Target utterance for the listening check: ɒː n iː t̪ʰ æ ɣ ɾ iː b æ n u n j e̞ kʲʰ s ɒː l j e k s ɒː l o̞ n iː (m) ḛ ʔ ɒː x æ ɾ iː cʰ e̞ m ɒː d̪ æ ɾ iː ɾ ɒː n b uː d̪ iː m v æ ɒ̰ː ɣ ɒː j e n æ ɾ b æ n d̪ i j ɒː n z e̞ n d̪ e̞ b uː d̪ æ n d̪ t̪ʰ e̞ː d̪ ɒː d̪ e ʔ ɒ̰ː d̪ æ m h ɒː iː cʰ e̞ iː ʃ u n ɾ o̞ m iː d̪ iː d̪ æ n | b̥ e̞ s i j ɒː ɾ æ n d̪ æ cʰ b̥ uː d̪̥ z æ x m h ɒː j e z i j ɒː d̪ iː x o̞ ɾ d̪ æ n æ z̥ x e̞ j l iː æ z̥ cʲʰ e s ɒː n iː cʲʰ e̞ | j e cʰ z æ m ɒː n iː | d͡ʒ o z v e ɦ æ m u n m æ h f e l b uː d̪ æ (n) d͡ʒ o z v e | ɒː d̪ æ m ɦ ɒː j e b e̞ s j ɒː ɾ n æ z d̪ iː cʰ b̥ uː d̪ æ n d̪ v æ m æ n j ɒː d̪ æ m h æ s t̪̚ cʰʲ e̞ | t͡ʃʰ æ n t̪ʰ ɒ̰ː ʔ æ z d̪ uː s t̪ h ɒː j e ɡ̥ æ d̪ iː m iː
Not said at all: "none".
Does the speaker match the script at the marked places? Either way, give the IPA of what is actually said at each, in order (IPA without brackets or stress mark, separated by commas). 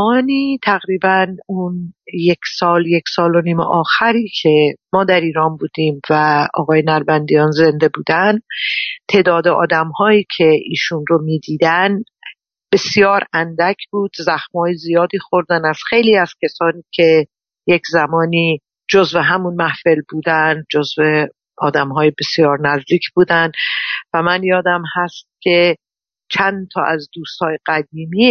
m, n